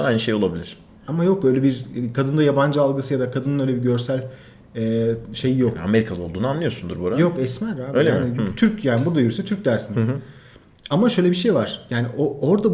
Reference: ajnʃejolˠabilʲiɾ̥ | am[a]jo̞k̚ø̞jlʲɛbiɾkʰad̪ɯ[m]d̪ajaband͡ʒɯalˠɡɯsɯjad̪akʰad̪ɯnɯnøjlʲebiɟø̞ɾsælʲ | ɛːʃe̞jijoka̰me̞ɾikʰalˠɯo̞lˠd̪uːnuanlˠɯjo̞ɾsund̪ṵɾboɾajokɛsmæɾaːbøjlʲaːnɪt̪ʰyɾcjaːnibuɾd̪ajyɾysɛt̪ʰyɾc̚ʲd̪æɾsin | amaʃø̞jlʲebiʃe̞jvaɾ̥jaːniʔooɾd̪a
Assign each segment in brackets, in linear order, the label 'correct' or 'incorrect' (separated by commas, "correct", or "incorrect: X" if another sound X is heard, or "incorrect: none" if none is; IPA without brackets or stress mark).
correct, incorrect: n